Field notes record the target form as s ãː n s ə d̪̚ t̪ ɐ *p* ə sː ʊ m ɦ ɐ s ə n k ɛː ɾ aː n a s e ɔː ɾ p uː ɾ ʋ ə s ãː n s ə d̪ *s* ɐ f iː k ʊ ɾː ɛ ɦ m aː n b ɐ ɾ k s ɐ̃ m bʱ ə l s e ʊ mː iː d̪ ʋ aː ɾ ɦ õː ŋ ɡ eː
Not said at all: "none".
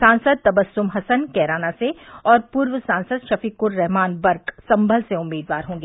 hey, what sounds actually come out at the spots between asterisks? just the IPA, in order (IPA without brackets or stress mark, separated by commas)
b, ʃ